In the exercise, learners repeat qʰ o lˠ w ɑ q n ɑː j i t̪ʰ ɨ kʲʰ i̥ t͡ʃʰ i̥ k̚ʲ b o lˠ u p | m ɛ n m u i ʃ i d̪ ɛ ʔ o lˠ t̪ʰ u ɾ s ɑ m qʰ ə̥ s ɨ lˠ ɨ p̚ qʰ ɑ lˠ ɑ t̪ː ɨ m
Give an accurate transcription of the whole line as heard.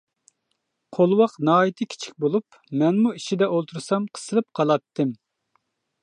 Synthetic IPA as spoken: qʰ o lˠ w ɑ q n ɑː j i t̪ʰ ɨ kʲʰ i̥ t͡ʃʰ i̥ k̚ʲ b o lˠ u p | m ɛ n m u i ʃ i d̪ ɛ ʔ o lˠ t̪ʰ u ɾ s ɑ m qʰ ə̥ s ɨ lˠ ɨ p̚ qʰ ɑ lˠ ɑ t̪ː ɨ m